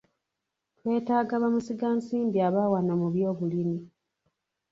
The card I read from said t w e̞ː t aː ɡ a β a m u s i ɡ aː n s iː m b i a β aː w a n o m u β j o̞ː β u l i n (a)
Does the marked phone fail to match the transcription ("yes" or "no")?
yes